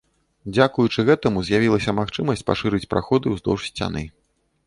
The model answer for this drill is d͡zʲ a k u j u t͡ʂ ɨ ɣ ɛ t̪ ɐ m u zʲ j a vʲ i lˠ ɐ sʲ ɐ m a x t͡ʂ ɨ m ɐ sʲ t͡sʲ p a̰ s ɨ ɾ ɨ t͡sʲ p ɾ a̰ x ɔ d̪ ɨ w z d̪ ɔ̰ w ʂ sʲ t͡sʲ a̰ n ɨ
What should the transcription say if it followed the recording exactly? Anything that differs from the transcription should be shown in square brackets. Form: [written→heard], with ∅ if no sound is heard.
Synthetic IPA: d͡zʲ a k u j u t͡ʂ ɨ ɣ ɛ t̪ ɐ m u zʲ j a vʲ i lˠ ɐ sʲ ɐ m a x t͡ʂ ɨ m ɐ sʲ t͡sʲ p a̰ [s→ʂ] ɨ ɾ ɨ t͡sʲ p ɾ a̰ x ɔ d̪ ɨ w z d̪ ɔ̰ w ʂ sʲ t͡sʲ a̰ n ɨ